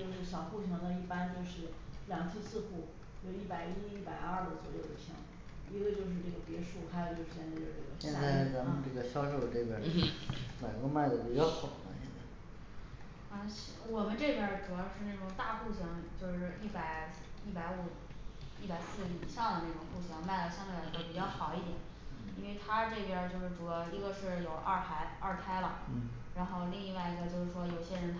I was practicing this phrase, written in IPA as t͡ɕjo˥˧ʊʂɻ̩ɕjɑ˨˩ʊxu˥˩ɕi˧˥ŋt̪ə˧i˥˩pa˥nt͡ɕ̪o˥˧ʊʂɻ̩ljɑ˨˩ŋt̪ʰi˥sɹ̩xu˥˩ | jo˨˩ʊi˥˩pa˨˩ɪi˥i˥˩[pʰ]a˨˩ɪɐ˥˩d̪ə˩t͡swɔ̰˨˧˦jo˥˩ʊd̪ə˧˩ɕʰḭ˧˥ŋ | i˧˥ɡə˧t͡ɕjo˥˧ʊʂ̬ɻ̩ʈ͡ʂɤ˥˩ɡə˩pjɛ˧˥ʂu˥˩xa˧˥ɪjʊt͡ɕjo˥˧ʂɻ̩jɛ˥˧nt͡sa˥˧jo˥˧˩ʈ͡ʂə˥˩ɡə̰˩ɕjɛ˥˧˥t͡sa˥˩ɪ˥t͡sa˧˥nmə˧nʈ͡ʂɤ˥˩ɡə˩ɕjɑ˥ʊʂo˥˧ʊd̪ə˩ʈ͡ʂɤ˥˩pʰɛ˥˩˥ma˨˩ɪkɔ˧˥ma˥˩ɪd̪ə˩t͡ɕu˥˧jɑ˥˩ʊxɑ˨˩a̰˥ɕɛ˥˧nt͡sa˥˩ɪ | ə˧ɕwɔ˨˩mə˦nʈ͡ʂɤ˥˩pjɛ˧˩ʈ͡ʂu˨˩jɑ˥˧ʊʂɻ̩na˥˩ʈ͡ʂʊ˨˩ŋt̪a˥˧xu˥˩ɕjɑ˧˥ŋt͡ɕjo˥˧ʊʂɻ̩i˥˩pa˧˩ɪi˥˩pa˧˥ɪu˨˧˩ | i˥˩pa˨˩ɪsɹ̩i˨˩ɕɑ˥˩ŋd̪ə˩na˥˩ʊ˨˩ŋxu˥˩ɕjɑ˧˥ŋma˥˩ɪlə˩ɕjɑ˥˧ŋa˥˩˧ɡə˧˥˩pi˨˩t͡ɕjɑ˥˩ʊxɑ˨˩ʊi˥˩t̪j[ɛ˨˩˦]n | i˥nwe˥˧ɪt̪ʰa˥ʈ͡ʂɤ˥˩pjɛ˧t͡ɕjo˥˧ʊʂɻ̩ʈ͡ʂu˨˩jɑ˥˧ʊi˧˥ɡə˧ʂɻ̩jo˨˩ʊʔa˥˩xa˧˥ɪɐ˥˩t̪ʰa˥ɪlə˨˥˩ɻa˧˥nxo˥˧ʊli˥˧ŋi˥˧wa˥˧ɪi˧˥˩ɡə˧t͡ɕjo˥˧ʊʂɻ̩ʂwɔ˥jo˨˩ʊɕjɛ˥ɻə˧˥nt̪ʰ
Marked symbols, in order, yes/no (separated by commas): no, yes